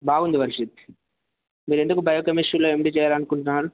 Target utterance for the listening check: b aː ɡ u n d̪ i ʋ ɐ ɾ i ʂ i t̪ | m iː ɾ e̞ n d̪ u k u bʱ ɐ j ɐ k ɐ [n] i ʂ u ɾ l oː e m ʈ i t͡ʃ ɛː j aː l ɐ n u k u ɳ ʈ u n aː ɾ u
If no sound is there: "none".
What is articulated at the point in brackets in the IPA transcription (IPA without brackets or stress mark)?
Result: m